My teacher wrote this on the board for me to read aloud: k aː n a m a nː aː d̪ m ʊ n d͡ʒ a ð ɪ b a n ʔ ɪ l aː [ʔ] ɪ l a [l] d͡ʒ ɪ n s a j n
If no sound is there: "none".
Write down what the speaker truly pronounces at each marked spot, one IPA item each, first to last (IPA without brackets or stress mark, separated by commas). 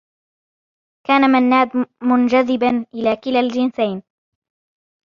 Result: k, l